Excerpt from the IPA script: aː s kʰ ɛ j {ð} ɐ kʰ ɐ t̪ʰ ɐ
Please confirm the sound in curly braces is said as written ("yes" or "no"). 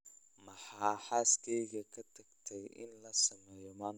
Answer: no